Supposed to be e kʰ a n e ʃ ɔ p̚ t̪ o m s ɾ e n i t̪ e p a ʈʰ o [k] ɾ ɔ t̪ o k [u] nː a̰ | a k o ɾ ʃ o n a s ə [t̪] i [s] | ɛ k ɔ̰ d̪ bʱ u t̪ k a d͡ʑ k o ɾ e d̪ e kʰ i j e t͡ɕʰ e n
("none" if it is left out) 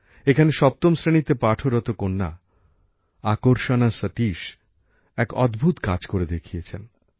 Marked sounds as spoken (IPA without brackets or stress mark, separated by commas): none, o, t̪, ʃ